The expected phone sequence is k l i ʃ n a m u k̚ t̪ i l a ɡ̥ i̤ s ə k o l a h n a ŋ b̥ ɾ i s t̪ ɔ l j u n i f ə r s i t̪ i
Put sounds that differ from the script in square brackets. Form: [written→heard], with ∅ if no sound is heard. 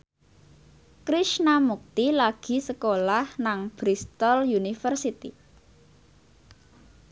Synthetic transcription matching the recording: k [l→ɾ] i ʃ n a m u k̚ t̪ i l a ɡ̥ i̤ s ə k o l a h n a ŋ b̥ ɾ i s t̪ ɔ l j u n i f ə r s i t̪ i